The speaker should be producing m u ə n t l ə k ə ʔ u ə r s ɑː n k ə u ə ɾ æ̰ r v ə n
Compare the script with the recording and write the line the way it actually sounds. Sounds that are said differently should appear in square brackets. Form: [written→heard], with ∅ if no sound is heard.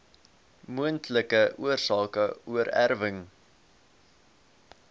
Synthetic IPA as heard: m u ə n t l ə k ə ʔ u ə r s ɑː [n→∅] k ə u ə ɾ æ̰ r v ə [n→ŋ]